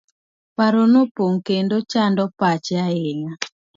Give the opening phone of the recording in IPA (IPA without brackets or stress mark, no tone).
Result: p